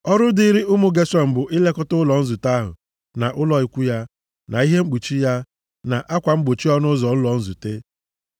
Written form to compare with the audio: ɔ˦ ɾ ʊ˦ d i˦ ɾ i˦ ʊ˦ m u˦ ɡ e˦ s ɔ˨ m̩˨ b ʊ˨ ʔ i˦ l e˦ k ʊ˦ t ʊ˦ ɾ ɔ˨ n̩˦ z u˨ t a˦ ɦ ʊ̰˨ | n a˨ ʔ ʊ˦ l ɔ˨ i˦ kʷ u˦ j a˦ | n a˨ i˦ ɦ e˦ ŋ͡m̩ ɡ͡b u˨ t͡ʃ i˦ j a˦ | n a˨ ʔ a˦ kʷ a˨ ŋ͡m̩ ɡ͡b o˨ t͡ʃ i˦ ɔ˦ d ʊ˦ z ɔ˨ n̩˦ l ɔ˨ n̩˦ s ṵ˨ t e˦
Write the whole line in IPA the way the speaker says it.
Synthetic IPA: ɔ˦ ɾ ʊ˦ d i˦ ɾ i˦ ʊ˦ m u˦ ɡ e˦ s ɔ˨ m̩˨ b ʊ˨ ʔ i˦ l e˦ k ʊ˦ t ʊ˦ l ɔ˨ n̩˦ z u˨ t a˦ ɦ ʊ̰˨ | n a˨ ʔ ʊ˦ l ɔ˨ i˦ kʷ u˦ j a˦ | n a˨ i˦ ɦ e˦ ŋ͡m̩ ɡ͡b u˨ t͡ʃ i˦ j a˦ | n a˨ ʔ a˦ kʷ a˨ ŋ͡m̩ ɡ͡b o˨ t͡ʃ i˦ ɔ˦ n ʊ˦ z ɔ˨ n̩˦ l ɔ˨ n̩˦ z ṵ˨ t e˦